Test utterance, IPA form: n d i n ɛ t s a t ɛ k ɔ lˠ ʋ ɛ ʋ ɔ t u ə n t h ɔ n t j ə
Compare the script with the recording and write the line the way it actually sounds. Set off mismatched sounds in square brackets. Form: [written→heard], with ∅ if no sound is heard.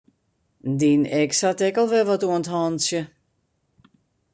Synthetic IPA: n d i n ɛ [t→k] s a t ɛ k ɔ lˠ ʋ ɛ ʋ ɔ t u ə n t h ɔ n [t→s] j ə